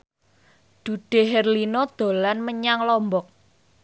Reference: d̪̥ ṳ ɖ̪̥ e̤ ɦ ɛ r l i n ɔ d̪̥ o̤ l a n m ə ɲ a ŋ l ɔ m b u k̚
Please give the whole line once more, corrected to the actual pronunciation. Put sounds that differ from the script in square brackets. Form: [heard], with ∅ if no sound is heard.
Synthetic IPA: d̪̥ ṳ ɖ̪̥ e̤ ɦ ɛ r l i n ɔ d̪̥ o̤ l a n m ə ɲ a ŋ l ɔ m b [ɔ] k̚